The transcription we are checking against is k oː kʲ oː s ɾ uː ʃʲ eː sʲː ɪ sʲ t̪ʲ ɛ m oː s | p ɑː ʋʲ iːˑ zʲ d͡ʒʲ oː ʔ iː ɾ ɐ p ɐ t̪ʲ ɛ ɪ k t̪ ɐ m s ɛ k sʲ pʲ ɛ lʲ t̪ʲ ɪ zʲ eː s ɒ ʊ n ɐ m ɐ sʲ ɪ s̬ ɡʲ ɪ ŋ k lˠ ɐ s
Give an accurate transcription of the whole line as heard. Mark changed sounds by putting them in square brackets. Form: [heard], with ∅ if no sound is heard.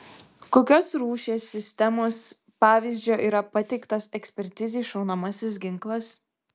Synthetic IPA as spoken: k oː kʲ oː s ɾ uː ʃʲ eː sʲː ɪ sʲ t̪ʲ ɛ m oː s | p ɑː ʋʲ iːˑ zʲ d͡ʒʲ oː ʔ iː ɾ ɐ p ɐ t̪ʲ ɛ ɪ k t̪ ɐ [∅] s ɛ k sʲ pʲ ɛ [ɾʲ] t̪ʲ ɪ zʲ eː [ʃ] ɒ ʊ n ɐ m ɐ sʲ ɪ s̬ ɡʲ ɪ ŋ k lˠ ɐ s